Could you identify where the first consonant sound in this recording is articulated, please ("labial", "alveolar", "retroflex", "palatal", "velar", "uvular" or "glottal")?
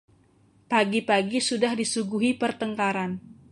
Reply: labial